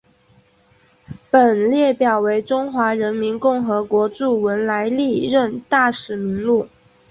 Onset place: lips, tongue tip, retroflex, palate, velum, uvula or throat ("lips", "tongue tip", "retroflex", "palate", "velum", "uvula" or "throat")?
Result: lips